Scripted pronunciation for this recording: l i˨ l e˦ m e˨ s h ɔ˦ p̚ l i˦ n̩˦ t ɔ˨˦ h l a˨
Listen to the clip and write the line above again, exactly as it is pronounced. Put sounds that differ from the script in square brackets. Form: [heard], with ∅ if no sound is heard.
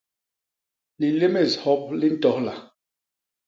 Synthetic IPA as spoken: l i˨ l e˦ m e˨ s h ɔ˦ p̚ l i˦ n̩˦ t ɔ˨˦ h l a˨